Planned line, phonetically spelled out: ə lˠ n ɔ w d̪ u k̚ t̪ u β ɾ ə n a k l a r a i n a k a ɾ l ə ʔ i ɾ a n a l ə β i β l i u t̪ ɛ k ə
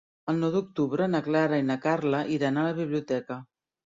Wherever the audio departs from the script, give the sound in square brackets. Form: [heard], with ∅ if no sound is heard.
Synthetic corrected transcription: ə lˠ n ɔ w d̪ u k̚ t̪ u β ɾ ə n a k l a [ɾ] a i n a k a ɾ l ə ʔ i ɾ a n a l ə β i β l i u t̪ ɛ k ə